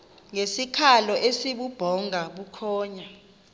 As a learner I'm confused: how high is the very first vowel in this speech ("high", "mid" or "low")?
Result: mid